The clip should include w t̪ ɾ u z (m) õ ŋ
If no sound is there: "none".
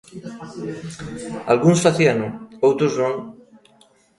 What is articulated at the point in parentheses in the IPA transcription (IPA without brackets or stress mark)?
n